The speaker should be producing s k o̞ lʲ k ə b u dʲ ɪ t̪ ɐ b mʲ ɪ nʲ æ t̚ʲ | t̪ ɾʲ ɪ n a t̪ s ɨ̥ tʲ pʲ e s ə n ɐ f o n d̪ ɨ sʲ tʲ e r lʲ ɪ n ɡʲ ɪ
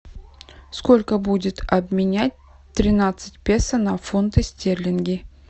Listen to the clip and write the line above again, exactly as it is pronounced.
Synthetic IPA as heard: s k o̞ lʲ k ə b u dʲ ɪ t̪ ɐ b mʲ ɪ nʲ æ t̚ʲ | t̪ ɾʲ ɪ n a t̪ s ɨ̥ tʲ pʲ e s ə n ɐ f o n t̪ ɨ sʲ tʲ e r lʲ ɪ n ɡʲ ɪ